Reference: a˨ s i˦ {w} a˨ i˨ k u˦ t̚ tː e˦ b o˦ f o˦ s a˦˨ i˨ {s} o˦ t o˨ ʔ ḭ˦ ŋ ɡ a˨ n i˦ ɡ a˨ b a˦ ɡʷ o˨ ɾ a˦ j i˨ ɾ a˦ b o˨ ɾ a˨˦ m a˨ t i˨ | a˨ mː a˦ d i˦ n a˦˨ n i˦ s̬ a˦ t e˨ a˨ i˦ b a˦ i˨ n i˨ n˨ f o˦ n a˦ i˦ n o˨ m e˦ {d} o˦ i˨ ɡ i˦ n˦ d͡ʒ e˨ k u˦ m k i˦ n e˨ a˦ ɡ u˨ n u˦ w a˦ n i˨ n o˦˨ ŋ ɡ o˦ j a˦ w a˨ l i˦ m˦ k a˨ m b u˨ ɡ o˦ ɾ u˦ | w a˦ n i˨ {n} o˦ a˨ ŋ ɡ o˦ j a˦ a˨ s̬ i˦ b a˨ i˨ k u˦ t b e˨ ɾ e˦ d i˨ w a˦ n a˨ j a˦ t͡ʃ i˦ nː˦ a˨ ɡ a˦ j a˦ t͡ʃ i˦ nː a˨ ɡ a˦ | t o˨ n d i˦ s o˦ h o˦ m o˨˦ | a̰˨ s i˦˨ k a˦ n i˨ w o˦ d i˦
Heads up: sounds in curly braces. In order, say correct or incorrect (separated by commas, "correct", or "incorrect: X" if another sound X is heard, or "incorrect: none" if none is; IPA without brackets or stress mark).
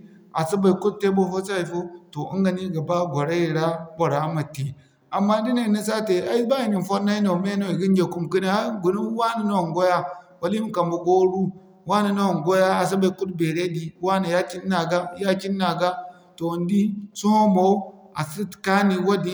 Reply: incorrect: b, incorrect: f, incorrect: n, correct